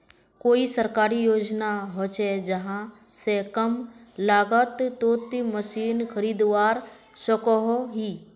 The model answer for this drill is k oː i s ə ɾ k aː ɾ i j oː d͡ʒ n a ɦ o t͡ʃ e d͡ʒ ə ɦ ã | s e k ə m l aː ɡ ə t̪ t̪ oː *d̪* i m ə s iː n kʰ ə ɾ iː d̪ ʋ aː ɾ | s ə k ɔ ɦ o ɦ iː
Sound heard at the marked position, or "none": t̪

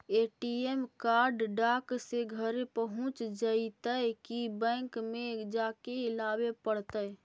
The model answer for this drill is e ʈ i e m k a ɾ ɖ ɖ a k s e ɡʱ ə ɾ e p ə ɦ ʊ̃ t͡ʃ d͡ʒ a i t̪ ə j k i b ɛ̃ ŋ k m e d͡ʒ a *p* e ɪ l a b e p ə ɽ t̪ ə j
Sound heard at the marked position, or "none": k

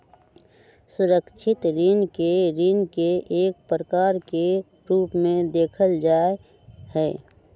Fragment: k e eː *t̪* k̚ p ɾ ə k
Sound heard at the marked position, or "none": none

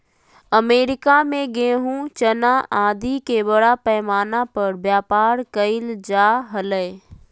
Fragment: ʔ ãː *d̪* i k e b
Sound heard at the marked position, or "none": d̪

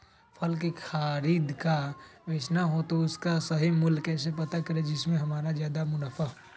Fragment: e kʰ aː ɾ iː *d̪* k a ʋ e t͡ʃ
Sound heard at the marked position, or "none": d̪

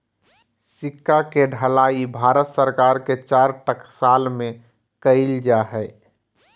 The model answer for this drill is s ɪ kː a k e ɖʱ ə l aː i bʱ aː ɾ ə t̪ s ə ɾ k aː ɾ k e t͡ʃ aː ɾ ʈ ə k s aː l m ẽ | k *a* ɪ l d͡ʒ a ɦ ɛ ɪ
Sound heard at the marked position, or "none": ə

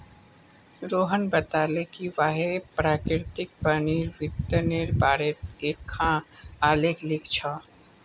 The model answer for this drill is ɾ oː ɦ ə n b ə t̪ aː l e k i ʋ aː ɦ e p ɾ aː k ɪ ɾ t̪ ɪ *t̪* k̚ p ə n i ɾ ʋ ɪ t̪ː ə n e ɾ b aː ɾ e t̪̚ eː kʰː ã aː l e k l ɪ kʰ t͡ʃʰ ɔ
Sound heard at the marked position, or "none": none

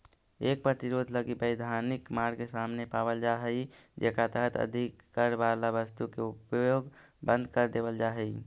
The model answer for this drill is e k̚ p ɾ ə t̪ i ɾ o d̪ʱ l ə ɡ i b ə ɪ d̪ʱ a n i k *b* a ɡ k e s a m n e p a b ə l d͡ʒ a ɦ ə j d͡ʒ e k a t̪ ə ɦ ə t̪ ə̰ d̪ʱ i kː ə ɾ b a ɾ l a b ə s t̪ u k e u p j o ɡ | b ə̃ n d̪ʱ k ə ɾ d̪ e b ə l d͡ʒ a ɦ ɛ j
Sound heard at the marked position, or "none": m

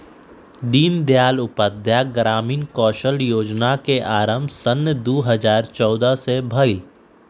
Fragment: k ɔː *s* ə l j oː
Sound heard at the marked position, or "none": ʃ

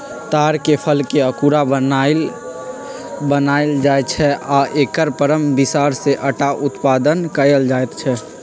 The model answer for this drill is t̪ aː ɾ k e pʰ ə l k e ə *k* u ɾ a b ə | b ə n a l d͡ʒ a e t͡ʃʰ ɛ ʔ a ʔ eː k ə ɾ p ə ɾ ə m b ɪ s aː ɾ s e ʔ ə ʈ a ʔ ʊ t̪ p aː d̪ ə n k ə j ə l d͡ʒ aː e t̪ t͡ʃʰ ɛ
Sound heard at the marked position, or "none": k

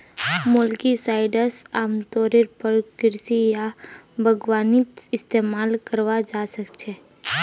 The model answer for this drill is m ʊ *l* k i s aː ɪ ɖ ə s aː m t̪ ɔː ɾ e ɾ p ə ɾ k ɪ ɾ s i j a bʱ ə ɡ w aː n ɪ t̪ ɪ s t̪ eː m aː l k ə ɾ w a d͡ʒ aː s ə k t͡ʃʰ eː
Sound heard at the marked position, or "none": l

